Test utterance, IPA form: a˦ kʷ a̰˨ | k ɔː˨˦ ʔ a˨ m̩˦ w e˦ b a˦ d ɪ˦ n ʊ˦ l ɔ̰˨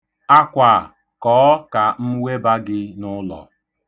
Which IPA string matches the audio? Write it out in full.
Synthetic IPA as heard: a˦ kʷ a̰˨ | k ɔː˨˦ k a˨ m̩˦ w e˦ b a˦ ɡ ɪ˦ n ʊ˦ l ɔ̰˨

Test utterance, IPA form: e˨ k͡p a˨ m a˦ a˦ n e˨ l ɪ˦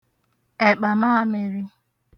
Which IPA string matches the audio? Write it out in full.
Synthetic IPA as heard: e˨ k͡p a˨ m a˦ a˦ m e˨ ɾ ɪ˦

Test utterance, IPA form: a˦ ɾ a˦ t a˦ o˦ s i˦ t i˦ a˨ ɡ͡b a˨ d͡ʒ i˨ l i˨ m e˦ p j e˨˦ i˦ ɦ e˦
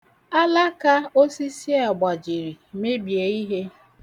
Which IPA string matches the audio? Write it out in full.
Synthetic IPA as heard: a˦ l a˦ k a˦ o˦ s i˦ s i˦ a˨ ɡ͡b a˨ d͡ʒ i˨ ɾ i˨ m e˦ b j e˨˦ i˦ ɦ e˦

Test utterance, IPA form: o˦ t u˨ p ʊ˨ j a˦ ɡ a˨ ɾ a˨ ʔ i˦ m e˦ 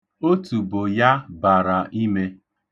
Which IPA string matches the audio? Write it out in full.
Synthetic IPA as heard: o˦ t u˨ b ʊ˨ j a˦ b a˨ ɾ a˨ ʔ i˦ m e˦

